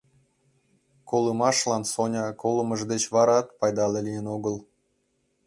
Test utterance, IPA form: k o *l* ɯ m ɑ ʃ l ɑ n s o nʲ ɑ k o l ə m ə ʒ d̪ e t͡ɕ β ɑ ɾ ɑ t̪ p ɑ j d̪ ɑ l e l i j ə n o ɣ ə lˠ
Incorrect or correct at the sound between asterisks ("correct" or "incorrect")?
correct